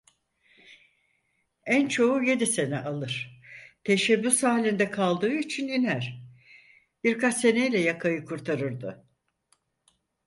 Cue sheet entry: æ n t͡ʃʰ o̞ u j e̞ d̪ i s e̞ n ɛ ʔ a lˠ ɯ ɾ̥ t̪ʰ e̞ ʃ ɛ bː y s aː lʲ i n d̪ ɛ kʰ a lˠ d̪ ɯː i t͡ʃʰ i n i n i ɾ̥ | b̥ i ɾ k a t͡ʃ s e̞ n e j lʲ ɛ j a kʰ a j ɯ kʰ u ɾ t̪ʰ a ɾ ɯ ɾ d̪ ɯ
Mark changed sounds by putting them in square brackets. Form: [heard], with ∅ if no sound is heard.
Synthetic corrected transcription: æ n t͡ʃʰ o̞ u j e̞ d̪ i s e̞ n ɛ ʔ a lˠ ɯ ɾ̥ t̪ʰ e̞ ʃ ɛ bː y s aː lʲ i n d̪ ɛ kʰ a lˠ d̪ ɯː i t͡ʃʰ i n i n [æ] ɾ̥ | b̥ i ɾ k a t͡ʃ s e̞ n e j lʲ ɛ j a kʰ a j ɯ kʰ u ɾ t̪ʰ a ɾ ɯ ɾ d̪ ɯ